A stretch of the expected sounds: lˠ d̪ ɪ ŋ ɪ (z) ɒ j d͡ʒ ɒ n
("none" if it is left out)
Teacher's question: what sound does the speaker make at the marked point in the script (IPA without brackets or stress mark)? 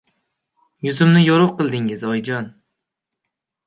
z